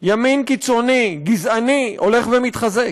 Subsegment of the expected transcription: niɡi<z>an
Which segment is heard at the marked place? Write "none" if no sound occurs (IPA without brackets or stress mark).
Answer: z